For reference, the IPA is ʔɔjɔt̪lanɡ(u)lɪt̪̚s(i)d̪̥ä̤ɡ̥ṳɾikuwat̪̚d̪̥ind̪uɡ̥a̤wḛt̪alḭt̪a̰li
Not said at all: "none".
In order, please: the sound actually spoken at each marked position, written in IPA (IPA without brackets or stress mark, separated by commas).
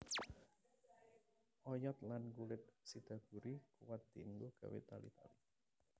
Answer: u, i